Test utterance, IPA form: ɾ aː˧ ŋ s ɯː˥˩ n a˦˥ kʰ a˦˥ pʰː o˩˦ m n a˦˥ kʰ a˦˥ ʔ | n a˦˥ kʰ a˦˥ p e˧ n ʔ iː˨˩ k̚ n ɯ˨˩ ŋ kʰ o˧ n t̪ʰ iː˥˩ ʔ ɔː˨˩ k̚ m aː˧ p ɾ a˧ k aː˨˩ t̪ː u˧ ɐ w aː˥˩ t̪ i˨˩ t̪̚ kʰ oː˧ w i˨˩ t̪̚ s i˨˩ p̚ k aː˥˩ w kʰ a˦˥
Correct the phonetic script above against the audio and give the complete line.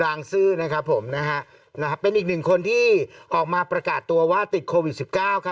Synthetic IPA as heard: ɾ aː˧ ŋ s ɯː˥˩ n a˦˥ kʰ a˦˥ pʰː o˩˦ m n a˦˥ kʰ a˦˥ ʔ | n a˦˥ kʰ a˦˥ p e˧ n ʔ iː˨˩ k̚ n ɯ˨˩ ŋ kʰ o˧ n t̪ʰ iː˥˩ ʔ ɔː˨˩ k̚ m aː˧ p ɾ a˧ k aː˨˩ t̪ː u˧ ɐ w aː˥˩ t̪ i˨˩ t̪̚ kʰ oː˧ w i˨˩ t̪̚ s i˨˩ p̚ k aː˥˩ w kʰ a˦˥